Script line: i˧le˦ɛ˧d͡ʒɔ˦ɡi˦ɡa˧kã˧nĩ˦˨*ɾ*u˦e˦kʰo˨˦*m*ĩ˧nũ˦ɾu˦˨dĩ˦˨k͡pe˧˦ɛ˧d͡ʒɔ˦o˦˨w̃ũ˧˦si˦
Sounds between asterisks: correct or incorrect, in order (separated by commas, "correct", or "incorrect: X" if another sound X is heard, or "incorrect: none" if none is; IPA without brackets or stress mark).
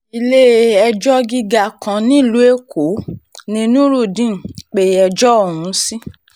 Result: incorrect: l, incorrect: n